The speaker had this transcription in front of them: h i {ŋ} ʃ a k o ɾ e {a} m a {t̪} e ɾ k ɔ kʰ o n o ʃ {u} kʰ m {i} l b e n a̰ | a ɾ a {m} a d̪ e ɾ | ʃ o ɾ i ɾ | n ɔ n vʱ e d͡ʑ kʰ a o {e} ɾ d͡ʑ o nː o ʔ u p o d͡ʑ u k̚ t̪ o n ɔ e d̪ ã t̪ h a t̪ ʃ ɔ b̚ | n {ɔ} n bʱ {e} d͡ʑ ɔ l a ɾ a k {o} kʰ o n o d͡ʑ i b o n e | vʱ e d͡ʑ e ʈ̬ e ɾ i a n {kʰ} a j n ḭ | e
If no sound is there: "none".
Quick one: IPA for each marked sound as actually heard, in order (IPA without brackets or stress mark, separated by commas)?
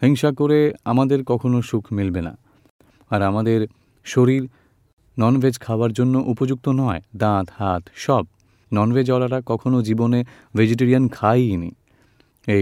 ŋ, a, d̪, u, i, m, a, ɔ, e, ɔ, kʰ